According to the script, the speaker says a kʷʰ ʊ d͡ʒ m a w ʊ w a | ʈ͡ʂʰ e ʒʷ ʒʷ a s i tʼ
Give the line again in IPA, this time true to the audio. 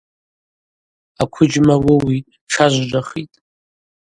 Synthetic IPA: a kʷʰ ʊ d͡ʒ m a w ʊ w i | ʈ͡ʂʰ a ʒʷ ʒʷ a χ i tʼ